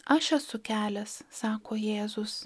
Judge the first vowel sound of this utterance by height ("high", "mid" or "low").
low